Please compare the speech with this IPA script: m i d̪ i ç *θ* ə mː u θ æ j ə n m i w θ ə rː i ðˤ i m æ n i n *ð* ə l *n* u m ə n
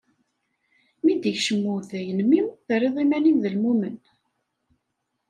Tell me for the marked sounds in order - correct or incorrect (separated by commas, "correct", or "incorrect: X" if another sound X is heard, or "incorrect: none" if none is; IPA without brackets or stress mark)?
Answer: incorrect: ʃ, correct, incorrect: m